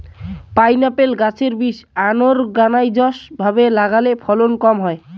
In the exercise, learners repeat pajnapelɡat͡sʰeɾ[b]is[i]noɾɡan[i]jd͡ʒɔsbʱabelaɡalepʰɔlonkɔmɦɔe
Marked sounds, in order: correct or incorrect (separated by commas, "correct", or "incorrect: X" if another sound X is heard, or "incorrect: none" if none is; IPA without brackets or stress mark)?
correct, incorrect: a, incorrect: a